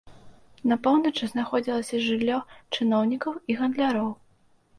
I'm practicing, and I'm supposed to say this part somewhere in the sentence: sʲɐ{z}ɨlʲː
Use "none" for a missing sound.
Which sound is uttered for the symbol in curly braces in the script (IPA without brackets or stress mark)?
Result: ʐ